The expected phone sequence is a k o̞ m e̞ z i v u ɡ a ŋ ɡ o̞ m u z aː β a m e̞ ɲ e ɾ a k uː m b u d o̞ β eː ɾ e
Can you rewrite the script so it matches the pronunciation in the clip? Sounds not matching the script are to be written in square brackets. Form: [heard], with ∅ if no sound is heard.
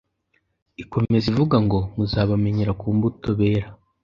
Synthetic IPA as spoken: [i] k o̞ m e̞ z i v u ɡ a ŋ ɡ o̞ m u z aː β a m e̞ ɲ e ɾ a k uː m b u [t] o̞ β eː ɾ [a]